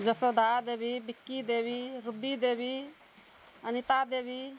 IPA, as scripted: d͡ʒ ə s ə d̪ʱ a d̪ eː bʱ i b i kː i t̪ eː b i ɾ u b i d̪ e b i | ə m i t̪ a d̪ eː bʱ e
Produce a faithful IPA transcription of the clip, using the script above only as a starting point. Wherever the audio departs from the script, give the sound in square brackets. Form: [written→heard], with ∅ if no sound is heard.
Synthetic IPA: d͡ʒ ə s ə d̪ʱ a d̪ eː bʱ i b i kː i [t̪→d̪] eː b i ɾ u b i d̪ e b i | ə [m→n] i t̪ a d̪ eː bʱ [e→i]